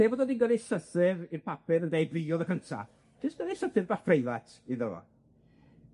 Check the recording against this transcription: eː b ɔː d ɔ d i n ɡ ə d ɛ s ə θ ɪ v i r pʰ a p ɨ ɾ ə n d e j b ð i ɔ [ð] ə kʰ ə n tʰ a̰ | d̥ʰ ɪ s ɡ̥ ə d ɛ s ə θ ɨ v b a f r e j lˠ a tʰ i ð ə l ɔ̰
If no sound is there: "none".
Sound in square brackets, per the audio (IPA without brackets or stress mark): ð